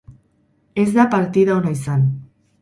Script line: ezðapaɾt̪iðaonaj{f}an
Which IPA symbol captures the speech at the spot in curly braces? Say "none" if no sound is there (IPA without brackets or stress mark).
s